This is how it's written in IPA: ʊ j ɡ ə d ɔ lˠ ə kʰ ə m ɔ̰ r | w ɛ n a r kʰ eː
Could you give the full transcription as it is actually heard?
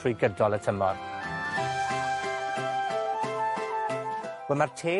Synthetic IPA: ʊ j ɡ ə d ɔ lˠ ə tʰ ə m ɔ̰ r | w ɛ m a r tʰ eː

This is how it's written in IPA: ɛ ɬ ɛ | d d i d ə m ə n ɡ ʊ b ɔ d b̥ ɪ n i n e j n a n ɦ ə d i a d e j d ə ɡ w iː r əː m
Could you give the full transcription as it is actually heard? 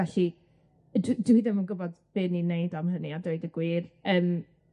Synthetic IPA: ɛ ɬ i | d d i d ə m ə n ɡ ʊ b ɔ d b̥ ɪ n i n e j d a m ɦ ə n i a d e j d ə ɡ w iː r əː m

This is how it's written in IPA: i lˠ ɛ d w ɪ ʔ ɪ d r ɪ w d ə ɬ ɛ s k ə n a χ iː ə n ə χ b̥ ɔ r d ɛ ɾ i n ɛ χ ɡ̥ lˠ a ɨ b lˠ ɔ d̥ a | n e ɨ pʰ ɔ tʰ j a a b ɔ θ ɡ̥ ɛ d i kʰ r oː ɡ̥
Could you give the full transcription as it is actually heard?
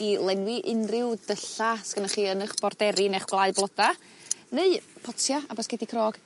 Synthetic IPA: i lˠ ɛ n w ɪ ʔ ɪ n r ɪ w d ə ɬ a s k ə n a χ iː ə n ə χ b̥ ɔ r d ɛ ɾ i n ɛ χ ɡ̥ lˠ a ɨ b lˠ ɔ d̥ a | n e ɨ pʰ ɔ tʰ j a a b ɔ s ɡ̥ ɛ d i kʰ r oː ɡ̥

